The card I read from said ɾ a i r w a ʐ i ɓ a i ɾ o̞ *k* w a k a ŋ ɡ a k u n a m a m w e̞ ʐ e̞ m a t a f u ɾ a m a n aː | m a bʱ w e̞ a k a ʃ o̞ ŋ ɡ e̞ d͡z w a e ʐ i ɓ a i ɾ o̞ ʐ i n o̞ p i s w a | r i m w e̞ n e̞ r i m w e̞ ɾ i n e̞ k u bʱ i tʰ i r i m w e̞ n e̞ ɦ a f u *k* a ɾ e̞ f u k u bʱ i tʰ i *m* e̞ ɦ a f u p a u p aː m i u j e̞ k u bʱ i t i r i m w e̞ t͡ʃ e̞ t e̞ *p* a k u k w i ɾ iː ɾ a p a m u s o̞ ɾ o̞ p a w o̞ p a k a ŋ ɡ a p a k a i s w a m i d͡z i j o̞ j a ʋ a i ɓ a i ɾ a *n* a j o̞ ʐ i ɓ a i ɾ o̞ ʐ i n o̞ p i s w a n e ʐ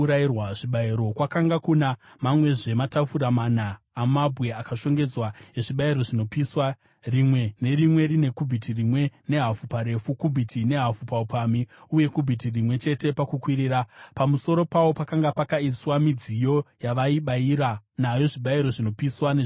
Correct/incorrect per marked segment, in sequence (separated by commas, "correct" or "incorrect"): correct, incorrect, incorrect, correct, correct